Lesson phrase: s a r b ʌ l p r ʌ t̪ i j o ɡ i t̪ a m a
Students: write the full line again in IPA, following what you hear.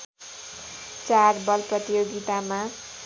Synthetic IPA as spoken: t͡s a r b ʌ l p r ʌ t̪ i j o ɡ i t̪ a m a